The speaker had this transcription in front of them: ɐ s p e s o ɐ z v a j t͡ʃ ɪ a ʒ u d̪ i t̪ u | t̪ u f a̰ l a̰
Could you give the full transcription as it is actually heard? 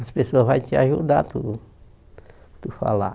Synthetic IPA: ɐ s p e s o ɐ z v a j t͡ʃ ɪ a ʒ u d̪ a t̪ u | t̪ u f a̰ l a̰